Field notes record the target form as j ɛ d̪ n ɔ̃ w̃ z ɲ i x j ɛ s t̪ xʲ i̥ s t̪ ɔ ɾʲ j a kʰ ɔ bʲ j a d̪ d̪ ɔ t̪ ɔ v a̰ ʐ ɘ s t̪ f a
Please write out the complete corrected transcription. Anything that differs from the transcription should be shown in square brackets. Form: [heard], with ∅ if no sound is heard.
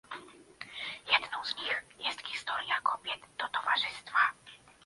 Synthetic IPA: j ɛ d̪ n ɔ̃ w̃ z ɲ i x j ɛ s t̪ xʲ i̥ s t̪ ɔ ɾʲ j a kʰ ɔ bʲ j [ɛ] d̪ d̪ ɔ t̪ ɔ v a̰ ʐ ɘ s t̪ f a